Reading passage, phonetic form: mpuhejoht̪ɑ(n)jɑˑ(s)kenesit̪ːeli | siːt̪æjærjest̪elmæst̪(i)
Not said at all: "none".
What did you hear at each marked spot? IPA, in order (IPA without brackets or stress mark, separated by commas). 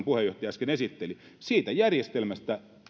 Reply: none, s, æ